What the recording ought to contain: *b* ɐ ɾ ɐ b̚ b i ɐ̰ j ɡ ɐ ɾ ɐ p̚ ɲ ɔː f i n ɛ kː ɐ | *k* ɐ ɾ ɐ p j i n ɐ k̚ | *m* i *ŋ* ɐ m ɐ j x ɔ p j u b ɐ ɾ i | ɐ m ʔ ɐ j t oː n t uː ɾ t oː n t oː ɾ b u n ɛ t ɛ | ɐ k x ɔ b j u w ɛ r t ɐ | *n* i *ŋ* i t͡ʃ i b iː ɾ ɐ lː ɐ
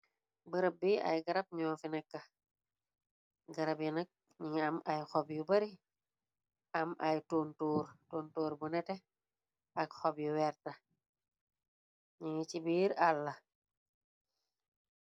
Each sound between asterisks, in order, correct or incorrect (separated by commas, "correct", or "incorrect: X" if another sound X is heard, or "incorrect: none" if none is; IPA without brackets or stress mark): correct, incorrect: ɡ, incorrect: ɲ, correct, incorrect: ɲ, correct